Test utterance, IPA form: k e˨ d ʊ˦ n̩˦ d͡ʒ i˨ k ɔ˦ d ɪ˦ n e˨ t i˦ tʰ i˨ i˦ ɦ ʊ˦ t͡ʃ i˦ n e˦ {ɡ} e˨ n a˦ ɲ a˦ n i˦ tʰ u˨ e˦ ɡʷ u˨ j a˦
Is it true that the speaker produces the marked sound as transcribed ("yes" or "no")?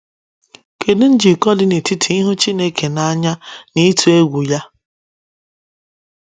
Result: no